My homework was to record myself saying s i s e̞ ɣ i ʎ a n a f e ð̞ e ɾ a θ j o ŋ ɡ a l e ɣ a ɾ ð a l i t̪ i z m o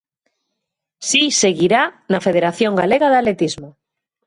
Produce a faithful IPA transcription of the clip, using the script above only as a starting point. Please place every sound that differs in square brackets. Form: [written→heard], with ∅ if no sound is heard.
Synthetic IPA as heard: s i s e̞ ɣ i [ʎ→ɾ] a n a f e ð̞ e ɾ a θ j o ŋ ɡ a l e ɣ a [ɾ→∅] ð a l [i→e] t̪ i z m o